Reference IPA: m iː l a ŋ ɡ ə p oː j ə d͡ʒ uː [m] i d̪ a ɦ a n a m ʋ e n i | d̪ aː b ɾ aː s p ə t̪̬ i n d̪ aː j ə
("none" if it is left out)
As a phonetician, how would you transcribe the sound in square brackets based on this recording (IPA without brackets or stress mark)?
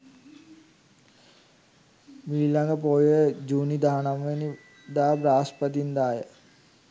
n